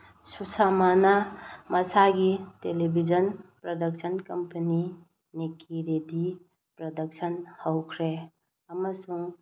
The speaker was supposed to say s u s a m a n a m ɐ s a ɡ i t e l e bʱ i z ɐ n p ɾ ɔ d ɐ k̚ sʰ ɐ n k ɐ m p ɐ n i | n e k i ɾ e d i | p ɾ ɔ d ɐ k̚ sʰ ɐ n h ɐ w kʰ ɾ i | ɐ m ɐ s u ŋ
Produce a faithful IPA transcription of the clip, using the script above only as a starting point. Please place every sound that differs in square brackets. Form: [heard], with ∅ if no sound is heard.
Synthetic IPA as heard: s u s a m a n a m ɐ s a ɡ i t e l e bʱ i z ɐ n p ɾ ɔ d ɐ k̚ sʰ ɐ n k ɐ m p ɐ n i | n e k i ɾ e d i | p ɾ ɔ d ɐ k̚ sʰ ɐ n h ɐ w kʰ ɾ [e] | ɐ m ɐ s u ŋ